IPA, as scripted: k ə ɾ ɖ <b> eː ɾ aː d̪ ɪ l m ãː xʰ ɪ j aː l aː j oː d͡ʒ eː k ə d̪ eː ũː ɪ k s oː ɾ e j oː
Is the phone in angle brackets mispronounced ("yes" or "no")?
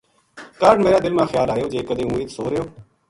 yes